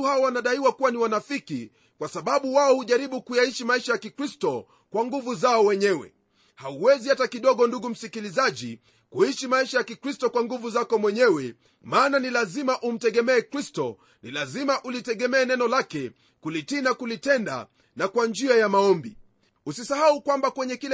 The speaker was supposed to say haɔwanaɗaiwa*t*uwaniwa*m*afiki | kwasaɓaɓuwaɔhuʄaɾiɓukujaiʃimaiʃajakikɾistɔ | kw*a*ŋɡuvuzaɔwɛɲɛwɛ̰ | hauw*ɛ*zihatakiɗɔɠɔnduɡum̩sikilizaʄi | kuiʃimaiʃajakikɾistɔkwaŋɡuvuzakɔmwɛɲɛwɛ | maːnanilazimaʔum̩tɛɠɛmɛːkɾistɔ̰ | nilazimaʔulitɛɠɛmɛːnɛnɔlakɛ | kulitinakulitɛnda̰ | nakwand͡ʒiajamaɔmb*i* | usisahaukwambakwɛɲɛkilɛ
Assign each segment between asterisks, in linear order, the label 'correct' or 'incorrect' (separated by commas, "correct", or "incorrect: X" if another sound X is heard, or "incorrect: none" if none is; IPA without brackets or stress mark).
incorrect: k, incorrect: n, correct, correct, correct